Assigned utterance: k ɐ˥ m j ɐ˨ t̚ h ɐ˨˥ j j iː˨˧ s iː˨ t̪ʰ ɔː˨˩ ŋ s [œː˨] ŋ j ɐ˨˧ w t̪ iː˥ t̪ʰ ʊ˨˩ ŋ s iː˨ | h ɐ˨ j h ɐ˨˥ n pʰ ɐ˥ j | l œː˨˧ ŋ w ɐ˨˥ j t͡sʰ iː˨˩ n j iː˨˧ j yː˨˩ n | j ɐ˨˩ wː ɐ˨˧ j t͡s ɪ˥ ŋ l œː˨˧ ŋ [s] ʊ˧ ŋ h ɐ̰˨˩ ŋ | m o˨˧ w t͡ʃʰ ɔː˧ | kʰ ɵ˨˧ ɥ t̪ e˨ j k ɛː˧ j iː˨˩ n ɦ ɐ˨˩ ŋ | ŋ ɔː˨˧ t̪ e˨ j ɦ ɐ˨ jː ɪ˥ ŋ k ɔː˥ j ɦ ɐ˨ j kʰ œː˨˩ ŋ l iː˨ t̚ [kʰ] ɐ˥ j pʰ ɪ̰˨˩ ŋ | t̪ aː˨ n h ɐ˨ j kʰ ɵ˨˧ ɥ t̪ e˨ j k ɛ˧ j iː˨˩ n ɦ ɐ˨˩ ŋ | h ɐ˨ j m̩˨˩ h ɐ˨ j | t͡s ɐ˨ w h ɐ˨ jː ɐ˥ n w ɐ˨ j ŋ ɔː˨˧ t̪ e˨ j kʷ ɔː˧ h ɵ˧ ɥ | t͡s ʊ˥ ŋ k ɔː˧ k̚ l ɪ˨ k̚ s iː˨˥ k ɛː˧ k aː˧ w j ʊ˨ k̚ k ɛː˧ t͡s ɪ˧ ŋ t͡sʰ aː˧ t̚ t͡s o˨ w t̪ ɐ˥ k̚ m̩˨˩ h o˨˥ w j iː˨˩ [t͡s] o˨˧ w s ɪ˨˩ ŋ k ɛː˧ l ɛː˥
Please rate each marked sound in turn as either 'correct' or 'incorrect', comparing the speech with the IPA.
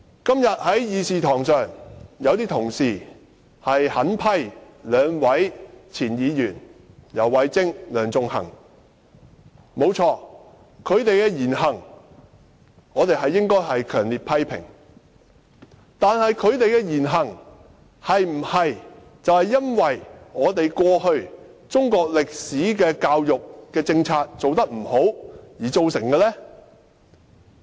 correct, incorrect: t͡s, incorrect: pʰ, correct

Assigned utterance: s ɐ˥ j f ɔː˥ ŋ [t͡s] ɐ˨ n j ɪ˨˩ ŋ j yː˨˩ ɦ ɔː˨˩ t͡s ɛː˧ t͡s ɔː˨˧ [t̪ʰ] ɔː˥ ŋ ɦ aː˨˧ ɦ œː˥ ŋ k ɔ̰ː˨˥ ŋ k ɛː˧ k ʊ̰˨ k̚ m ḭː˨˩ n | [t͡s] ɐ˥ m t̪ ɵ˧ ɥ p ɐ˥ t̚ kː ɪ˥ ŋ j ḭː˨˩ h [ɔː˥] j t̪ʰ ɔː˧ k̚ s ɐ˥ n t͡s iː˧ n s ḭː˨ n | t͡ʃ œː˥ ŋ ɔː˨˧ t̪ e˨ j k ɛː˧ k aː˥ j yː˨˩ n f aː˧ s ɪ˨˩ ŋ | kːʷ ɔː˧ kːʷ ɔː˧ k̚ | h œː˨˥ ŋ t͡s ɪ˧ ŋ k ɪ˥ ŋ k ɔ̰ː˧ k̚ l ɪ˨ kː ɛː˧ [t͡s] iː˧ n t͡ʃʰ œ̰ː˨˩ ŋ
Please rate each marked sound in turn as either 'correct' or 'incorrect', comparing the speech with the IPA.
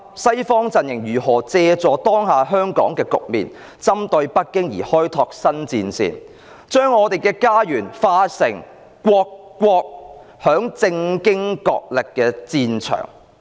correct, incorrect: t̪, correct, correct, correct

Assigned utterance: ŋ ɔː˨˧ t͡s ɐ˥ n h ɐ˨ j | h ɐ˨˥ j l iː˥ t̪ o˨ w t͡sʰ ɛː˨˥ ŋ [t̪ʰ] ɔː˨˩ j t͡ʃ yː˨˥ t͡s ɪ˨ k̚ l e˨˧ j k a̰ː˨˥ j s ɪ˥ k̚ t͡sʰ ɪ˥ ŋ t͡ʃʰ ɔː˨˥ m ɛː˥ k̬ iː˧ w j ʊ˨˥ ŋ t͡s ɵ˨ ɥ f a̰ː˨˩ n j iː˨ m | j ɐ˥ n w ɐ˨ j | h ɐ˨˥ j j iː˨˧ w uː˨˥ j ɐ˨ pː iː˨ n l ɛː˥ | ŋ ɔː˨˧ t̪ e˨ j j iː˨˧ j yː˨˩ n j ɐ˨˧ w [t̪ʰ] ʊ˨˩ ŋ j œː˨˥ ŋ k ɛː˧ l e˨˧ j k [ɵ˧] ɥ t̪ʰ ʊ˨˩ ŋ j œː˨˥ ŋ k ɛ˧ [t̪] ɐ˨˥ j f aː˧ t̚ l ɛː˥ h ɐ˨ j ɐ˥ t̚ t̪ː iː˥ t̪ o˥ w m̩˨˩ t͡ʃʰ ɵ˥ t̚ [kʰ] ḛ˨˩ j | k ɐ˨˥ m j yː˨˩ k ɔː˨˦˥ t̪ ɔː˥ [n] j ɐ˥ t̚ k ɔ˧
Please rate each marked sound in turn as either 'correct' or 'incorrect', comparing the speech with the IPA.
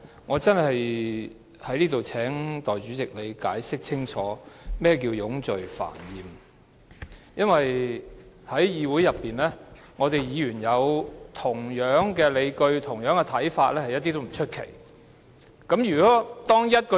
incorrect: t̪, correct, correct, incorrect: t̪ʰ, correct, incorrect: ŋ

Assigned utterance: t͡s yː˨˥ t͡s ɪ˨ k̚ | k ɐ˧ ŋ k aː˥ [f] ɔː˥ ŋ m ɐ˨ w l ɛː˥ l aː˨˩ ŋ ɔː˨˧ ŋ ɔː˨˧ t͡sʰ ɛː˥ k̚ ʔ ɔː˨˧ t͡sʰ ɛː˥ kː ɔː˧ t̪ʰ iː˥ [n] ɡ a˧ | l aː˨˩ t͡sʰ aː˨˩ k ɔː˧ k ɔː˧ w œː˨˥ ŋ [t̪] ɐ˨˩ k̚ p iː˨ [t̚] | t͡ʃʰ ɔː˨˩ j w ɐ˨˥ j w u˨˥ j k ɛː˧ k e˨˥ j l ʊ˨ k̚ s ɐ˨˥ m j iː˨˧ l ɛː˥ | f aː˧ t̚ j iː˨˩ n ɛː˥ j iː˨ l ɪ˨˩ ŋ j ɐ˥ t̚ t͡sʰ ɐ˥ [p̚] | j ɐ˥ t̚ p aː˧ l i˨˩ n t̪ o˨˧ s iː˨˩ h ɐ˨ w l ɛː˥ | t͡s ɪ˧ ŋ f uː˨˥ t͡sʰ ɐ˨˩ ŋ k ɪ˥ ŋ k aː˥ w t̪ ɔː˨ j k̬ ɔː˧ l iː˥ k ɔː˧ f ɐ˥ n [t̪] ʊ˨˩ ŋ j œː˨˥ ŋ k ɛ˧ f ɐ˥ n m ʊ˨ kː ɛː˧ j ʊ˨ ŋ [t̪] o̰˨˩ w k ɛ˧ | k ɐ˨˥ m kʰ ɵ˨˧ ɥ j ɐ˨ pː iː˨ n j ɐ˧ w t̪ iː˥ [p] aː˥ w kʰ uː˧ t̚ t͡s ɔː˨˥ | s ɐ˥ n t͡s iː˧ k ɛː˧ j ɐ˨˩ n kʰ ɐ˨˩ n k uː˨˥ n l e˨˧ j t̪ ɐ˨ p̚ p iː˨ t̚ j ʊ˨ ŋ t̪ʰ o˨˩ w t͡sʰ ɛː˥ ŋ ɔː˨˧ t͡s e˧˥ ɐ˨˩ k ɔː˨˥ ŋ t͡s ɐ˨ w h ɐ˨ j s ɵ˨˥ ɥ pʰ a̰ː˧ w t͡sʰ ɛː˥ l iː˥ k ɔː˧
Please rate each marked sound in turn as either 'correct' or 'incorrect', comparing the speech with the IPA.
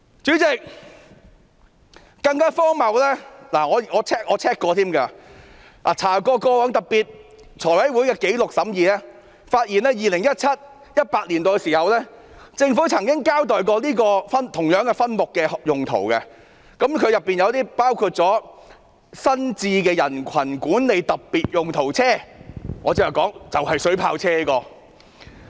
correct, incorrect: m, correct, correct, incorrect: t̚, incorrect: t̪ʰ, incorrect: t̪ʰ, correct

